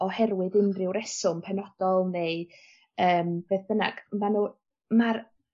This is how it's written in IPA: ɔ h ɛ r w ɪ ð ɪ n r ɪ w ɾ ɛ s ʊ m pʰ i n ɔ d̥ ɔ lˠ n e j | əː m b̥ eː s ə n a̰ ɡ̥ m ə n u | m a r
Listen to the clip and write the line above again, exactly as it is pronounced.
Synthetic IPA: ɔ h ɛ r w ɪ ð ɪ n r ɪ w ɾ ɛ s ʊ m pʰ ɛ n ɔ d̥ ɔ lˠ n e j | əː m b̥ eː θ ə n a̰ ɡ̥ m a n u | m a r